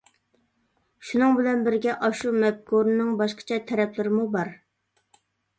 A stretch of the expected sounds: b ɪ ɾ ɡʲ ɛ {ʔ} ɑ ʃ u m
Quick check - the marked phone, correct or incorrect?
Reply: correct